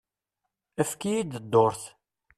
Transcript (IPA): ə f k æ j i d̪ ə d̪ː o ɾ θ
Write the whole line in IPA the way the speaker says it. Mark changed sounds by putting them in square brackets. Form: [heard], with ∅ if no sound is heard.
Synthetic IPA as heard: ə f k [i] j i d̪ ə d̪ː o ɾ θ